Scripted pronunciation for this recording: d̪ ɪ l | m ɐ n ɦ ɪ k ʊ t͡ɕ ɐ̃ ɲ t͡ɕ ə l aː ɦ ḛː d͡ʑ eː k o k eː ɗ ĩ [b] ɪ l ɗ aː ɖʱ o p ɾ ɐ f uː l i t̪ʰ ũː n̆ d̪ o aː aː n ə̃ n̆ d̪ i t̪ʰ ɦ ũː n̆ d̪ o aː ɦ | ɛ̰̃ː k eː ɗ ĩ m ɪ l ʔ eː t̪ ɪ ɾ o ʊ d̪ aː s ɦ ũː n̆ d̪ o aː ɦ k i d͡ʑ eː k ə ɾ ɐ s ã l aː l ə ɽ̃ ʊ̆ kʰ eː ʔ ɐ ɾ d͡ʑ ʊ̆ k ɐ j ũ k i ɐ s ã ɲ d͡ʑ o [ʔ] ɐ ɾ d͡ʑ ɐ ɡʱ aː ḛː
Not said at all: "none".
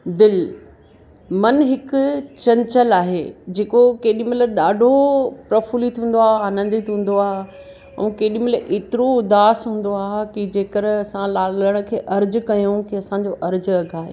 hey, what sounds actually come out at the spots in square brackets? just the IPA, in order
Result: m, ʔ

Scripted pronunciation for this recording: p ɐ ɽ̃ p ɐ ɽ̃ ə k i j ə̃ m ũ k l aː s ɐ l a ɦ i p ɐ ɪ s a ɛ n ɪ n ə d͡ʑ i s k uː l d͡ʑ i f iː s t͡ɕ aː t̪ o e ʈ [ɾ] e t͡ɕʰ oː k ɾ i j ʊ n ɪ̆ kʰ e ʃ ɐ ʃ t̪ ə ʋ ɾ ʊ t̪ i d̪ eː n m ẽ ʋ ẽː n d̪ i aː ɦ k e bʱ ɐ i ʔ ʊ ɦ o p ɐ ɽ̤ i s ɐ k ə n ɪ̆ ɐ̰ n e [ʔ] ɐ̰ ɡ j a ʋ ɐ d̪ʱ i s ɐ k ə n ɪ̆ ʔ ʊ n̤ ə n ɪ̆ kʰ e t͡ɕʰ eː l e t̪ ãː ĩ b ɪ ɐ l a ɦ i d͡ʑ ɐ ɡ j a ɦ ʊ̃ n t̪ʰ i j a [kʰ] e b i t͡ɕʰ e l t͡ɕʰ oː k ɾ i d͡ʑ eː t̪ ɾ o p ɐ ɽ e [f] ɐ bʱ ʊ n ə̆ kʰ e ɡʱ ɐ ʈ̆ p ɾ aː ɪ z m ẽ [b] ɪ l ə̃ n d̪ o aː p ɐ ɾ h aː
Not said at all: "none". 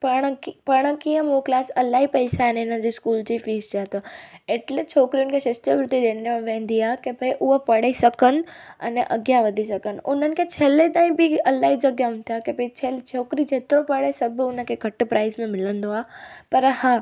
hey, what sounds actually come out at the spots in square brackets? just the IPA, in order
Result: l, ʔ, k, s, m

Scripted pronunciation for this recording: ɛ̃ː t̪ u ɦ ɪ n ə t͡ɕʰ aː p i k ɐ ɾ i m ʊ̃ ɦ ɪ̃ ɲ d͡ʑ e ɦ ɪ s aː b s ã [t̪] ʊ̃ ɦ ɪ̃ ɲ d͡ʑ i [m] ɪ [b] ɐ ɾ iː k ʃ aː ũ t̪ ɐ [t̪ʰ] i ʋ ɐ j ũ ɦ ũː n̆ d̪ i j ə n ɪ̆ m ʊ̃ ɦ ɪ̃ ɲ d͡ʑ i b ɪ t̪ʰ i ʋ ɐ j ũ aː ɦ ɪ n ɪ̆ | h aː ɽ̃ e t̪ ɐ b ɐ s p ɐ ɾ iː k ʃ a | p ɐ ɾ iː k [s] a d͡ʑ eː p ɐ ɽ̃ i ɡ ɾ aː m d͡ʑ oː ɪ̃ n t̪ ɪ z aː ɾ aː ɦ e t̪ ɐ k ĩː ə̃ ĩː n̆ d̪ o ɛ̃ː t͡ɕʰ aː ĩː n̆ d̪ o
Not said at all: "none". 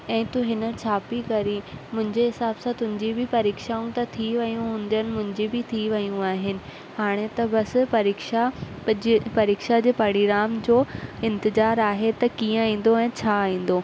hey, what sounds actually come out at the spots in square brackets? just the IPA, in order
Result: t̪, b, p, t̪ʰ, ʃ

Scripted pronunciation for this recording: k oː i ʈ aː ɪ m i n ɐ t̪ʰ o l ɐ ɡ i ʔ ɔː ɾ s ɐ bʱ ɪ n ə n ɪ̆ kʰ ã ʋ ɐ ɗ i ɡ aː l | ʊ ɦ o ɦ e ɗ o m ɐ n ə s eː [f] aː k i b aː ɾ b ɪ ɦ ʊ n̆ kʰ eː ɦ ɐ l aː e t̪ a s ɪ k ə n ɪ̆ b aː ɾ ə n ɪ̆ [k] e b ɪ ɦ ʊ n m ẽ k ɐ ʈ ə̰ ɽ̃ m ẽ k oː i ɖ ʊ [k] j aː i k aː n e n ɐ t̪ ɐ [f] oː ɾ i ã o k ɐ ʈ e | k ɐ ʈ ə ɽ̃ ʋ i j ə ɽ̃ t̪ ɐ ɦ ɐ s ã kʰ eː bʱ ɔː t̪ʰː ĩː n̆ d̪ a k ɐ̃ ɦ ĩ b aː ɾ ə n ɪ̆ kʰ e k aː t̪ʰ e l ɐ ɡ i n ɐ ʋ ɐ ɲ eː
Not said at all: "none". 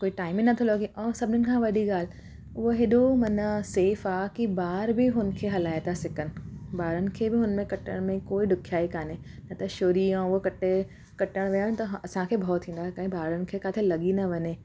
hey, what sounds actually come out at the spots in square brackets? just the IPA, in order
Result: f, kʰ, kʰ, ʃ

